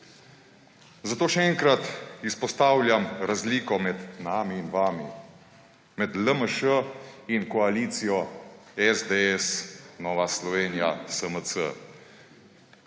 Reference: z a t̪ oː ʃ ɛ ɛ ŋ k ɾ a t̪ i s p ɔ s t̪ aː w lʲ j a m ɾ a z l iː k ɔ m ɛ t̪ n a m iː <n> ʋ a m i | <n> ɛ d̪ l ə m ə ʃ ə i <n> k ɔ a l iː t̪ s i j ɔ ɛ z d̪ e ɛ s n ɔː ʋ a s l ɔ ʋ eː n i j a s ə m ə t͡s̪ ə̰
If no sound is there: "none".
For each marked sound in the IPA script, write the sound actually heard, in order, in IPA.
n, m, n

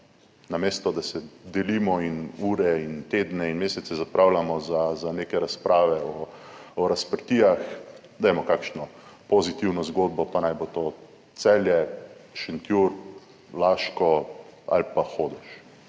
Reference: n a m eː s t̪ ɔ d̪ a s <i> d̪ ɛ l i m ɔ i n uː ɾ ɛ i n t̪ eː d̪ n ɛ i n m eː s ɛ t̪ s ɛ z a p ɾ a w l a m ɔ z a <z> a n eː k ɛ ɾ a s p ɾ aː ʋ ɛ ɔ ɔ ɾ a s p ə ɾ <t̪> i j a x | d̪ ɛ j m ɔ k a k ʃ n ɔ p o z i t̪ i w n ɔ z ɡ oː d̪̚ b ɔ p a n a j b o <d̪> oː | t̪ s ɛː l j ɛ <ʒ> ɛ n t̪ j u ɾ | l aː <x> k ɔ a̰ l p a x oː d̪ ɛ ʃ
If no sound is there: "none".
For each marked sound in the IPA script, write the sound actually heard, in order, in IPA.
ɛ, z, t̪, t̪, ʃ, ʃ

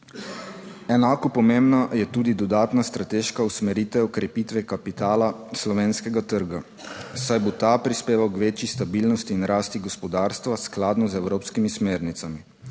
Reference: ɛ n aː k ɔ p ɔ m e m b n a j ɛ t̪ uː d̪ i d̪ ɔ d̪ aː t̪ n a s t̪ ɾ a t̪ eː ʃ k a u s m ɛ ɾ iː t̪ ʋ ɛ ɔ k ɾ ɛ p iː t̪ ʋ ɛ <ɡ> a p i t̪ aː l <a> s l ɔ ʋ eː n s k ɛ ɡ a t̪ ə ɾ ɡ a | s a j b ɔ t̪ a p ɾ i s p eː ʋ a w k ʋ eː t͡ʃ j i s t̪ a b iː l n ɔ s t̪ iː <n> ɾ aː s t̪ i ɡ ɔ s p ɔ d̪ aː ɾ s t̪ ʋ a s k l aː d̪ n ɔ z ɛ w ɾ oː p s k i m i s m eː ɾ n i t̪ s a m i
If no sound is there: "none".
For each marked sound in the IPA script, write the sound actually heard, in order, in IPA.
k, a, n

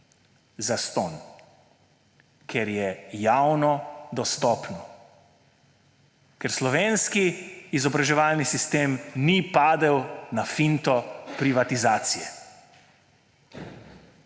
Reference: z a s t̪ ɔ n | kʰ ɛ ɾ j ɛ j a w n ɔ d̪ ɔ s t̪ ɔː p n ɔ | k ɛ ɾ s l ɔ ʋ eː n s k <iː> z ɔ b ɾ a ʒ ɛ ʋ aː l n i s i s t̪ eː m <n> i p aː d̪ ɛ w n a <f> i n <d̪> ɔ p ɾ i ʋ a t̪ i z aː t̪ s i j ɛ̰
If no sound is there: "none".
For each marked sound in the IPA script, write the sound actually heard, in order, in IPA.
iː, n, f, t̪

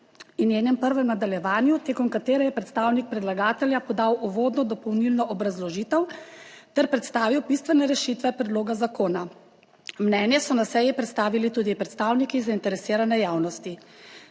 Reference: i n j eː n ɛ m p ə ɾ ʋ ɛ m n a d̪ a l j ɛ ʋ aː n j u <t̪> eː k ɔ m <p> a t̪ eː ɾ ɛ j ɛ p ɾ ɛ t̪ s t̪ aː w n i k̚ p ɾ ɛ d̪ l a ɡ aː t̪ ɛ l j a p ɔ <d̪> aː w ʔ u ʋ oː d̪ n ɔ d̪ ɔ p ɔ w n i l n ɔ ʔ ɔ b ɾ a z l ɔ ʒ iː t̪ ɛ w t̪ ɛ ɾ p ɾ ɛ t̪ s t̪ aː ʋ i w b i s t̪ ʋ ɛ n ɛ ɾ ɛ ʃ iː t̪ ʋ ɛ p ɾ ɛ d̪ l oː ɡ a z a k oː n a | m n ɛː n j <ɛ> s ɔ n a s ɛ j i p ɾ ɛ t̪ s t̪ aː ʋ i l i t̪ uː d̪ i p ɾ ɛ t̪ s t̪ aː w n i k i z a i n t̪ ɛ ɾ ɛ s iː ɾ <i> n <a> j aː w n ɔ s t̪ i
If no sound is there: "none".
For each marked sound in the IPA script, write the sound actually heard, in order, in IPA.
t̪, k, d̪, ɛ, a, ɛ

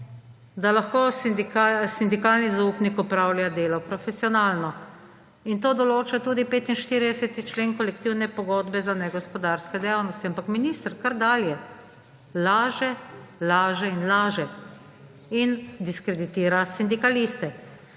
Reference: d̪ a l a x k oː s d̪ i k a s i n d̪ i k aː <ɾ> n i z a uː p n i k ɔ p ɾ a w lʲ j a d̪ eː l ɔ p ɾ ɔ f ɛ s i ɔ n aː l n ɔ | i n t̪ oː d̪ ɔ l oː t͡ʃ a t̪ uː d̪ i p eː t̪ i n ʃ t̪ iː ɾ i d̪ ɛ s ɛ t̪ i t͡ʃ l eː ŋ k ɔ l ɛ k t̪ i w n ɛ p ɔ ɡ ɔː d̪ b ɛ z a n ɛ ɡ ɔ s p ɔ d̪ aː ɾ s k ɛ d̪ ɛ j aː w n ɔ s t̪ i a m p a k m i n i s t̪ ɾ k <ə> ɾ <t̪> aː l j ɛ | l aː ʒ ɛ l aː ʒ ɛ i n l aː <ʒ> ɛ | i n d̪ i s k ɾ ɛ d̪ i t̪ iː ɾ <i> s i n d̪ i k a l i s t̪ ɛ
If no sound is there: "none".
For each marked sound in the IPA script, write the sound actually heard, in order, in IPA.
l, a, d̪, ʒ, a

